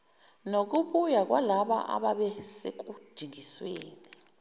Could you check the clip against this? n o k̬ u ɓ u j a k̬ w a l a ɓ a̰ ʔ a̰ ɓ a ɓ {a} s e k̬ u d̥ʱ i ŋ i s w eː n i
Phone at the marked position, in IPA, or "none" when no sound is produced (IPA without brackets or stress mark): ɛ